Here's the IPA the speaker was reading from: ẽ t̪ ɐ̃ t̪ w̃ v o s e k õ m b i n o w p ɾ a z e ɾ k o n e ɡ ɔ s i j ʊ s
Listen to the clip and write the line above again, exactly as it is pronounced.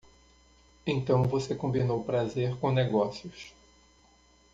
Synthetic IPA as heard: ẽ t̪ ɐ̃ w̃ v o s e k õ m b i n o w p ɾ a z e ɾ k õ n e ɡ ɔ s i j ʊ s